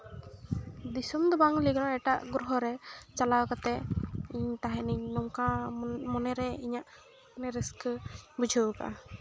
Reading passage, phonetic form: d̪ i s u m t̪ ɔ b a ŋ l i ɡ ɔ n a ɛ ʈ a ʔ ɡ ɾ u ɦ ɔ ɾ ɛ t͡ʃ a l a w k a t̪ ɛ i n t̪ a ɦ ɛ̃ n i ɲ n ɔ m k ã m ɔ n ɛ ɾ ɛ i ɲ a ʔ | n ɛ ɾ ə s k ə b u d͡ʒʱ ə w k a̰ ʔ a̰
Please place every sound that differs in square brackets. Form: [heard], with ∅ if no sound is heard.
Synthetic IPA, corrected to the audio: d̪ i s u m [d̪] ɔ b a ŋ l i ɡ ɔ n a ɛ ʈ a ʔ ɡ ɾ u ɦ ɔ ɾ ɛ t͡ʃ a l a w k a t̪ ɛ i [ɲ] t̪ a ɦ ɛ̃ n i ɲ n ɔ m k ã m ɔ n ɛ ɾ ɛ i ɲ a ʔ | n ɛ ɾ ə s k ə b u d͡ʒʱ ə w k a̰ ʔ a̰